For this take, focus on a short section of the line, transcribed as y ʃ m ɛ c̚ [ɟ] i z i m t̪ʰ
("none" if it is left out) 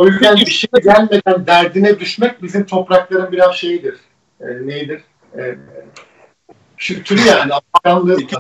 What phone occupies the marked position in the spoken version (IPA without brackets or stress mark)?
b